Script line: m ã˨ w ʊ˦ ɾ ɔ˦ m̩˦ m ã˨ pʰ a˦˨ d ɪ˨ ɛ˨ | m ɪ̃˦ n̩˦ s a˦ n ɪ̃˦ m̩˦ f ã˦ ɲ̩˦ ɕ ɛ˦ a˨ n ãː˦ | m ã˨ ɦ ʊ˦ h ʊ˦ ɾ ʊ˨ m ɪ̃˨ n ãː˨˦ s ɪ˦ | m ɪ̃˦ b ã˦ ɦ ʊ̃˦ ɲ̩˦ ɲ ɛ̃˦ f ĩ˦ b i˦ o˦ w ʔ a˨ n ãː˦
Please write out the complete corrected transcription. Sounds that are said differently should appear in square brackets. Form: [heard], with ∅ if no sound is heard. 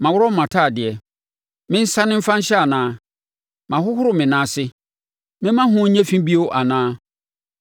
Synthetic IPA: m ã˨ w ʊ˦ ɾ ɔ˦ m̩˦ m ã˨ [tʰ] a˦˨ d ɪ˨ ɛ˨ | m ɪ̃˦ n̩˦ s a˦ n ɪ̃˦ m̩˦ f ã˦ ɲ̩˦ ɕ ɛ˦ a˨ n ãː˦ | m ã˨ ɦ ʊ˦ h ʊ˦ ɾ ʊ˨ m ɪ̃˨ n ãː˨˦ s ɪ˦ | m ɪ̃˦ [m] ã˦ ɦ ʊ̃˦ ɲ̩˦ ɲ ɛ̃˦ f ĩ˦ b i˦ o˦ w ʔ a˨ n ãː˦